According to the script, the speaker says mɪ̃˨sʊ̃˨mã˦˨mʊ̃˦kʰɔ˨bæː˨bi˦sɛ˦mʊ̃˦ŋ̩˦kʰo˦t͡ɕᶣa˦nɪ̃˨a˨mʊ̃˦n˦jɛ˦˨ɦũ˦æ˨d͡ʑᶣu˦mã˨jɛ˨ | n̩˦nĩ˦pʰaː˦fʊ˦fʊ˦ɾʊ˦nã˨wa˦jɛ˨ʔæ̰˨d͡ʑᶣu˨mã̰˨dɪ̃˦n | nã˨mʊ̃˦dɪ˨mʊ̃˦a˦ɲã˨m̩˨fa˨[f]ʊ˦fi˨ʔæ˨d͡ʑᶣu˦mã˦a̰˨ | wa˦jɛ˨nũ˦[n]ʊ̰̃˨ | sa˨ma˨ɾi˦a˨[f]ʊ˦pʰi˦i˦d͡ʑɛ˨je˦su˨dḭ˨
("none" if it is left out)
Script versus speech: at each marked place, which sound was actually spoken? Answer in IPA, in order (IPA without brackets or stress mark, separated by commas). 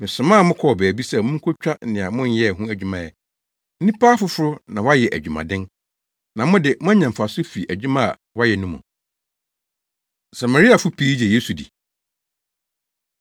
s, m, f